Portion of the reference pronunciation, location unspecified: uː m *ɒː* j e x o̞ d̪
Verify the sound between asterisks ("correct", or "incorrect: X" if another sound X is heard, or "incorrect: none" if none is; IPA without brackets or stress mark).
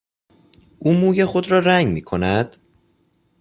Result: incorrect: uː